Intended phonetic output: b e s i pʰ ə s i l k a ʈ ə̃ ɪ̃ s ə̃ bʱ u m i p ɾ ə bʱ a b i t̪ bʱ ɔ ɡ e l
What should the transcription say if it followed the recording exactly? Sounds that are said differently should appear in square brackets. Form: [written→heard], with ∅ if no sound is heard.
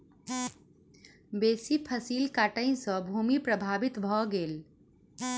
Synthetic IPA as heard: b e s i pʰ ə s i l k a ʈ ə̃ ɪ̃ s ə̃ bʱ u m i p ɾ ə bʱ a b i t̪ bʱ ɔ ɡ e l